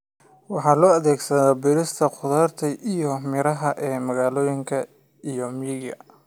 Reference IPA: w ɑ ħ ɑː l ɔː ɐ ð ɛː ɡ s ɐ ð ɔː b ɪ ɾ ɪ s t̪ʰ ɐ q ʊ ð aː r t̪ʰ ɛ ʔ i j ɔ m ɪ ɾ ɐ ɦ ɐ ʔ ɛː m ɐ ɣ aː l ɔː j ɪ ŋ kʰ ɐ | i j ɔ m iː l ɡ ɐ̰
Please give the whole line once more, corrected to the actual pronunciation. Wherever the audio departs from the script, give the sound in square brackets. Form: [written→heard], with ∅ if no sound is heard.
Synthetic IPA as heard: w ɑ ħ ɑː l ɔː ɐ ð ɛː ɡ s ɐ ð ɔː b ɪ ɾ ɪ s t̪ʰ ɐ q ʊ ð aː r t̪ʰ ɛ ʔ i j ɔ m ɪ ɾ ɐ ɦ ɐ ʔ ɛː m ɐ ɣ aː l ɔː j ɪ ŋ kʰ ɐ | i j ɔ m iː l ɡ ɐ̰